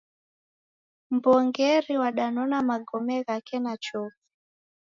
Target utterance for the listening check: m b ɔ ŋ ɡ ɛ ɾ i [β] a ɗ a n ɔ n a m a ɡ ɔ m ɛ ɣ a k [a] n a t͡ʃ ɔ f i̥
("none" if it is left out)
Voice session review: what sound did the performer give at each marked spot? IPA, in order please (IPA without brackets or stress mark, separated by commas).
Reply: w, ɛ